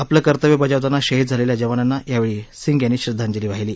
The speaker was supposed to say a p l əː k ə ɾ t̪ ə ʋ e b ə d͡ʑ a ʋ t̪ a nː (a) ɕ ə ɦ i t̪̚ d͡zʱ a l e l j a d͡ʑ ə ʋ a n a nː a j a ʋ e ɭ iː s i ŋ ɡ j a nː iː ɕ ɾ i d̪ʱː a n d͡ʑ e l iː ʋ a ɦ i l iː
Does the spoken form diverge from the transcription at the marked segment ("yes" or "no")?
no